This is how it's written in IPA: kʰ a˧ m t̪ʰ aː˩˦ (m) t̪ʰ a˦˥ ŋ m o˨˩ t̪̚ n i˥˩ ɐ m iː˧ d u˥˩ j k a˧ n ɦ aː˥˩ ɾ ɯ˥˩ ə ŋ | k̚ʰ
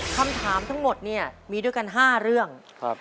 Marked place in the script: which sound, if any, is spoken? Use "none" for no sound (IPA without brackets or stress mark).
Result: m